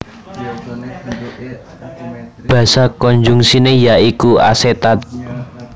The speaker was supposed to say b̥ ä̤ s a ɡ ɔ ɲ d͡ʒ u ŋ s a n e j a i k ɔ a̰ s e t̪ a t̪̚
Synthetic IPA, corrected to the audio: b̥ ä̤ s a k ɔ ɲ d͡ʒ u ŋ s i n e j a i k u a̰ s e t̪ a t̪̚